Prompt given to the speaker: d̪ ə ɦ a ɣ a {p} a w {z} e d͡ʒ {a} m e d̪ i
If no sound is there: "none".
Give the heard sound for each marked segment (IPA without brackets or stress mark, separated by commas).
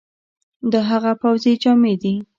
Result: p, z, ɑ